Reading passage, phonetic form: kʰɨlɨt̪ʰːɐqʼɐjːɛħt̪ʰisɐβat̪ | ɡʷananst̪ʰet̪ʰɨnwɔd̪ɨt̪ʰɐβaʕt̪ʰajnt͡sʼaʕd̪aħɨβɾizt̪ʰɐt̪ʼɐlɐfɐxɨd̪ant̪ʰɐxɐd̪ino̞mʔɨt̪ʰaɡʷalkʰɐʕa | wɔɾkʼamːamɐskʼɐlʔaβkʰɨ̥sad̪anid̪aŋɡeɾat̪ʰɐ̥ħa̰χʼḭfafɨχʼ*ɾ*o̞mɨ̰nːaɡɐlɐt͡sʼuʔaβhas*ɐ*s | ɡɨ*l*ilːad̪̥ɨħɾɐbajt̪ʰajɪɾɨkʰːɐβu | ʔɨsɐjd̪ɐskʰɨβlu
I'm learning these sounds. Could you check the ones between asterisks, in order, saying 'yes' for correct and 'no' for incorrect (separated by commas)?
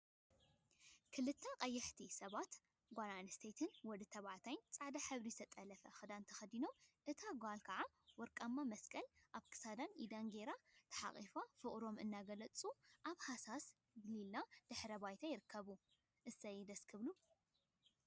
yes, no, yes